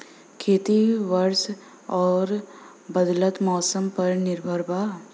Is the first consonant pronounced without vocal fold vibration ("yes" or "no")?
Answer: yes